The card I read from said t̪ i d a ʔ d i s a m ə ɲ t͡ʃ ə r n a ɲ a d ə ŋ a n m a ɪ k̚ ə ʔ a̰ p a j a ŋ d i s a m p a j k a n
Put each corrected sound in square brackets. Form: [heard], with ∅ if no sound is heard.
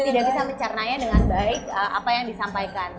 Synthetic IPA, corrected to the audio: t̪ i d a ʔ [b] i s a m ə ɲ t͡ʃ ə r n a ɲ a d ə ŋ a n [b] a ɪ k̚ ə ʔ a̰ p a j a ŋ d i s a m p a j k a n